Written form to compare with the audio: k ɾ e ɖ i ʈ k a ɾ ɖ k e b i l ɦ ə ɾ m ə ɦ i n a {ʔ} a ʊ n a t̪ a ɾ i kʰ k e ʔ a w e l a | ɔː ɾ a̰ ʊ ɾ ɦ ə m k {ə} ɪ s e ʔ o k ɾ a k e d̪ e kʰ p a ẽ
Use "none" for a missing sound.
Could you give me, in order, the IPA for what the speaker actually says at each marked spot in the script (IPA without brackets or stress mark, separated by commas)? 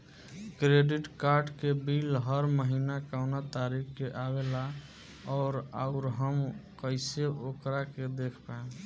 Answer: k, ə